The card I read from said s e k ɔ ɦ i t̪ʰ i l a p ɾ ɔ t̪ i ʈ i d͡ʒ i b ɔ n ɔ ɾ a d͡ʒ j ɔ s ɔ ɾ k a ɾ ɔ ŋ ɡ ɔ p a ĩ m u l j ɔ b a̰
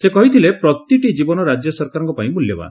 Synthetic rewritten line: s e k ɔ ɦ i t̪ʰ i l e p ɾ ɔ t̪ i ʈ i d͡ʒ i b ɔ n ɔ ɾ a d͡ʒ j ɔ s ɔ ɾ k a ɾ ɔ ŋ k ɔ p a ĩ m u l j ɔ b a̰